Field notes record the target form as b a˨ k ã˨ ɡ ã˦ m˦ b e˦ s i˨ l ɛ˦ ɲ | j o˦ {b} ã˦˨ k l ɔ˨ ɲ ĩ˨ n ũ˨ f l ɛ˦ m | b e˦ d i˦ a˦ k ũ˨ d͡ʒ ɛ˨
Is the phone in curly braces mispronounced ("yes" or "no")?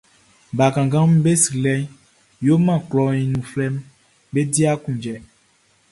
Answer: yes